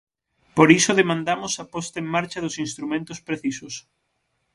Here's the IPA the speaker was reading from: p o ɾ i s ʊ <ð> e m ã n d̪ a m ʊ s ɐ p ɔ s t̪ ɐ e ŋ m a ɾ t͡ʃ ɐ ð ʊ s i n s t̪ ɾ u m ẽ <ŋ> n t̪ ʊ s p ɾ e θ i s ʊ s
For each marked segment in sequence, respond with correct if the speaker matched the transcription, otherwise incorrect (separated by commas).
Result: correct, incorrect